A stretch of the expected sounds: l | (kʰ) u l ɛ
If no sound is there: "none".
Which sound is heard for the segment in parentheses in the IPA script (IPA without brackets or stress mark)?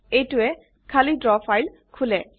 kʰ